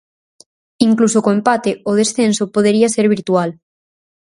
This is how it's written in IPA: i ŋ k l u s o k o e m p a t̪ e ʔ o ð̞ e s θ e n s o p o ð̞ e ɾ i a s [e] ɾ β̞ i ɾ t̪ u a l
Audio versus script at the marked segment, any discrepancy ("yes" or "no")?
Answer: no